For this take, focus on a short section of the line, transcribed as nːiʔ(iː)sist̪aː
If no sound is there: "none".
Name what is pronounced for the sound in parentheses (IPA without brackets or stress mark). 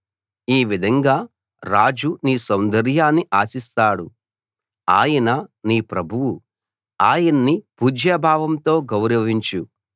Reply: aː